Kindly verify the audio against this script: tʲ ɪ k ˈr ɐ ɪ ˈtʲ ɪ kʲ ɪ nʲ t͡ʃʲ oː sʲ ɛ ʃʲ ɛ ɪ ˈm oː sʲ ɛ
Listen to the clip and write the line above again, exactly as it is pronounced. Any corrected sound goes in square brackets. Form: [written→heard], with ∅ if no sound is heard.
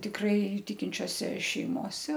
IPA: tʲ ɪ k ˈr ɐ ɪ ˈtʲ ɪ kʲ ɪ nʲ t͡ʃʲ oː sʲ ɛ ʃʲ ɛ ɪ ˈm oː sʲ ɛ